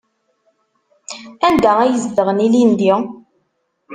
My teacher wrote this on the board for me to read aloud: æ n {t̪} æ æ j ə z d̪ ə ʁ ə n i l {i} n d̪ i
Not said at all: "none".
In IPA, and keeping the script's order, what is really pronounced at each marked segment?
d̪, i

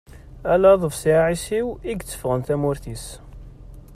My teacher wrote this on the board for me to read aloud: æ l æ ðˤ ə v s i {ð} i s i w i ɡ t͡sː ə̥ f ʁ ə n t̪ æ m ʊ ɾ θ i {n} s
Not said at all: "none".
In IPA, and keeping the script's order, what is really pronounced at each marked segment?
ʕ, none

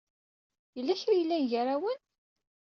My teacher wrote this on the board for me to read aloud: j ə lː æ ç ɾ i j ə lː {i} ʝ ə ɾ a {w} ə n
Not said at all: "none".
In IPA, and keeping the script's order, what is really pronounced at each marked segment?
æ, w

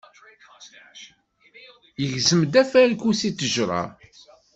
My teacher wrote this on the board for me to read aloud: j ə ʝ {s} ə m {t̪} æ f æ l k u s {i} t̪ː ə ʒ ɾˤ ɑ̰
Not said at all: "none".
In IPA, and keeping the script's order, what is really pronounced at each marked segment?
z, d̪, i

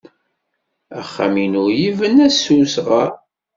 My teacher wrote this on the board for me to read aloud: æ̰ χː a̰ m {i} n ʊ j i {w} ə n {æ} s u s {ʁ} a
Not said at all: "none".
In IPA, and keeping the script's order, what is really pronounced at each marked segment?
i, v, æ, ʁ

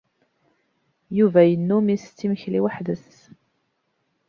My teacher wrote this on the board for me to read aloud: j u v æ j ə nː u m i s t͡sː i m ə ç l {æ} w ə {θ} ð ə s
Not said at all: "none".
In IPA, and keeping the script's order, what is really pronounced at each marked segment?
i, ħ

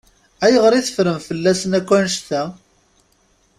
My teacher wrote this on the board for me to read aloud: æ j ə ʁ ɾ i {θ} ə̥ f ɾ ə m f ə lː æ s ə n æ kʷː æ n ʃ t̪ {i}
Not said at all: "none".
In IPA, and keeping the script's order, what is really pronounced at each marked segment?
θ, æ

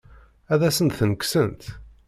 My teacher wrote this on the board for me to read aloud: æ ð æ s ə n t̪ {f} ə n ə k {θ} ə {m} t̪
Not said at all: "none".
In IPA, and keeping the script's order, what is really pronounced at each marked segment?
θ, s, n

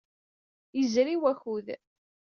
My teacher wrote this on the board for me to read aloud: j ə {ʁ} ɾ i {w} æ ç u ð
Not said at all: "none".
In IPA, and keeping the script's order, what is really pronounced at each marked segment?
z, w

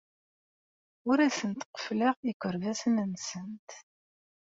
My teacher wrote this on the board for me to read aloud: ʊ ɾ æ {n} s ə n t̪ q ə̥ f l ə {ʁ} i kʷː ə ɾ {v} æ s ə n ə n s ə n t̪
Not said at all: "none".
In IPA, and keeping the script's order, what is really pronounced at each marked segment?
none, ʁ, v

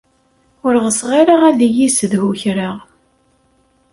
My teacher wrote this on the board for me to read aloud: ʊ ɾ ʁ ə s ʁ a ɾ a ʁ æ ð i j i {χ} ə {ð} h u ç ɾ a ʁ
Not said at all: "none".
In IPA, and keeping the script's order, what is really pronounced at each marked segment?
s, ð

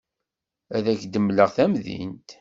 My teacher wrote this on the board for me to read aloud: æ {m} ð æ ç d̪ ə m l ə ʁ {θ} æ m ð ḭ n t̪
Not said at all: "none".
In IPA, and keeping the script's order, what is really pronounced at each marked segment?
none, θ

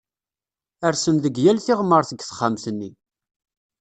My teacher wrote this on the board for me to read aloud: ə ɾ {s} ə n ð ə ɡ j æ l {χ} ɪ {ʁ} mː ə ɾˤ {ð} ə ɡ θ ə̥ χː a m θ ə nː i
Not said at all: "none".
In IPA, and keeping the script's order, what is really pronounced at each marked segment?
s, θ, ʁ, θ

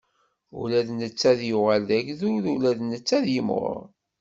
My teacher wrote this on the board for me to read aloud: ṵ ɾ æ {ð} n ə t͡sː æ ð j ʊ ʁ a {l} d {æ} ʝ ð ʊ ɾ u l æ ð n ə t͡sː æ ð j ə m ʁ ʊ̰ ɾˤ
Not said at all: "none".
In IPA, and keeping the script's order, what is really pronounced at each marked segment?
ð, l, æ

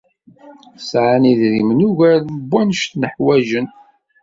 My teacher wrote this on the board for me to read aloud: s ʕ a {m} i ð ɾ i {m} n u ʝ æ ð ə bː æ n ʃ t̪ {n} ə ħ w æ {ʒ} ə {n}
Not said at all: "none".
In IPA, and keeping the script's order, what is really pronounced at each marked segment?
n, m, n, ʒ, n

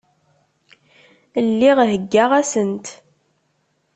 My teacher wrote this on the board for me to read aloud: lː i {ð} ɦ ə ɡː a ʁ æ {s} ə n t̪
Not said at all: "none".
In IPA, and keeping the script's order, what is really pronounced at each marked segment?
ʁ, s

